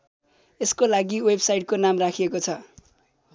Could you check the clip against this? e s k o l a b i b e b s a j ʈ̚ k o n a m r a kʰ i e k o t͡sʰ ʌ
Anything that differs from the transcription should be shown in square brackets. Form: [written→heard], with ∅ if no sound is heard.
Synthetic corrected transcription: e s k o l a [b→ɡ] i [b→w] e b s a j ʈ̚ k o n a m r a kʰ i e k o t͡sʰ ʌ